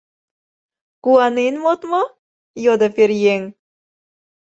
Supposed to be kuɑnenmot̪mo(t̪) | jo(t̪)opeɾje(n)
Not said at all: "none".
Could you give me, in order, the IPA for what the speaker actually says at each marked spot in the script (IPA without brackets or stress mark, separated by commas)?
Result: none, d̪, ŋ